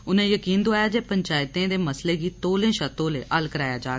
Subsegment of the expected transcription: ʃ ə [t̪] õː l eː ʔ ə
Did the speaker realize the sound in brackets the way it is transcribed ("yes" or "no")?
yes